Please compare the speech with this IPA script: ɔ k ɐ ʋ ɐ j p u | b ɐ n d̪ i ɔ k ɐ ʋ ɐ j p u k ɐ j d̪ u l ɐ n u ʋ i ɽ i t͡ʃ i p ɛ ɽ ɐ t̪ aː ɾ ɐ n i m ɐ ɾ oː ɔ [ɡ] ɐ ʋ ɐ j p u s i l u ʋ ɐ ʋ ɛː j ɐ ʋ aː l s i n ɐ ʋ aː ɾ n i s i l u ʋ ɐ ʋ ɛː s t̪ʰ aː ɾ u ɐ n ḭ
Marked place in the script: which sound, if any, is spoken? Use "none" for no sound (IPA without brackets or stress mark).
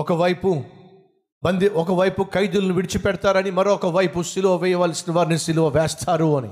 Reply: k